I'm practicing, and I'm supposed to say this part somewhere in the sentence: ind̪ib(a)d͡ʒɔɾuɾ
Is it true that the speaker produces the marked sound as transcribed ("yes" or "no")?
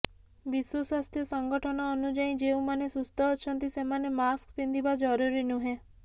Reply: yes